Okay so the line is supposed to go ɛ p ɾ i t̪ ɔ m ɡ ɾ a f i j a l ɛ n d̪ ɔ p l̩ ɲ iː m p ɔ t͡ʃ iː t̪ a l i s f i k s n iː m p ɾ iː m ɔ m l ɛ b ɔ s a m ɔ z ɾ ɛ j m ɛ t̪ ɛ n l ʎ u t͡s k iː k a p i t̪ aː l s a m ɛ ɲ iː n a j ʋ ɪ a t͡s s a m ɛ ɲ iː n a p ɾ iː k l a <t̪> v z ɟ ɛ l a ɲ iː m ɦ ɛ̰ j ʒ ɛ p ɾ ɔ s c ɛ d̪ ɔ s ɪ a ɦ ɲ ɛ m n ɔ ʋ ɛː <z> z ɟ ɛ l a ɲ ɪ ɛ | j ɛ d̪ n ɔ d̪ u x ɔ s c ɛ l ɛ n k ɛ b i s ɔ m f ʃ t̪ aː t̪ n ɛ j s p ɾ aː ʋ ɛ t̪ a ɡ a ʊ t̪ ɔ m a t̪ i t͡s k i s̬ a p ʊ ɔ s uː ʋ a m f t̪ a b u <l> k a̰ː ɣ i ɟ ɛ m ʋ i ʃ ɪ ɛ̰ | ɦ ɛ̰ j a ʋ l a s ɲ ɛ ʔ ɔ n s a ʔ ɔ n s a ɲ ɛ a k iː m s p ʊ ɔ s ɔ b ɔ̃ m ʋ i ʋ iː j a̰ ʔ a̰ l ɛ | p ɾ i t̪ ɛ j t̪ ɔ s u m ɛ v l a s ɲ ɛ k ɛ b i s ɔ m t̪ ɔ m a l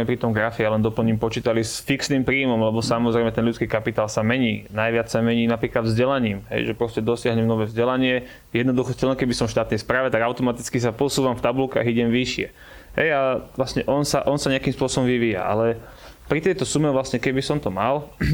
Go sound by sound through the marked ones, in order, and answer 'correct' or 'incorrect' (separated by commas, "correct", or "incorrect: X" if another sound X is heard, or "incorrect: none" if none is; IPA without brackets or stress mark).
incorrect: d̪, incorrect: v, correct